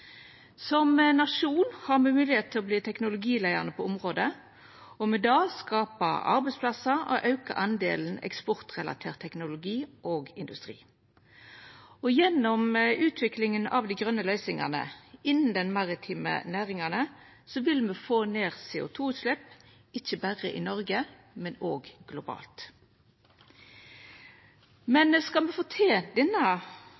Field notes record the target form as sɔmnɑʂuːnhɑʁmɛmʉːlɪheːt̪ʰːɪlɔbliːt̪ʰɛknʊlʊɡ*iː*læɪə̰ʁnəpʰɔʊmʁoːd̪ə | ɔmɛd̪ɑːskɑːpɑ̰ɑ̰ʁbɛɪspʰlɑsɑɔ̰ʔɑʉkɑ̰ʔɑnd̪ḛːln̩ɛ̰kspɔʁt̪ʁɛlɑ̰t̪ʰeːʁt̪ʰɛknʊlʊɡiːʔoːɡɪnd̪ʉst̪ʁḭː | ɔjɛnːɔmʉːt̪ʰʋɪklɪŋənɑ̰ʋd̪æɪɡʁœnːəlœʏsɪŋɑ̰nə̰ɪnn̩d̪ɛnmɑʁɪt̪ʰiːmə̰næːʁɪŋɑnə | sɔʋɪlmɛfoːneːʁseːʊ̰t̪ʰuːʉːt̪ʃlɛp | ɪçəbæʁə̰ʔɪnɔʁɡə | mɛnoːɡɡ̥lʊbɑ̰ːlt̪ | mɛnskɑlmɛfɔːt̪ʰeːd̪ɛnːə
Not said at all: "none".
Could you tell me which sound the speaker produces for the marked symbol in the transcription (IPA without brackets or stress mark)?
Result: iː